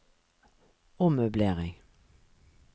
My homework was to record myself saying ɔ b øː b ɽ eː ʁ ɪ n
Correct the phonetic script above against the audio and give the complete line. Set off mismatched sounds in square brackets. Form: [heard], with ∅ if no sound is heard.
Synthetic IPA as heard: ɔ [m] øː b [l] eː ʁ ɪ [ŋ]